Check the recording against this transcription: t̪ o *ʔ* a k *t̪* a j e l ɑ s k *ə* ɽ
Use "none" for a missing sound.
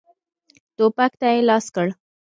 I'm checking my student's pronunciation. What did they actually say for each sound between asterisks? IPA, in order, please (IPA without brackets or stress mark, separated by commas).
p, t̪, ə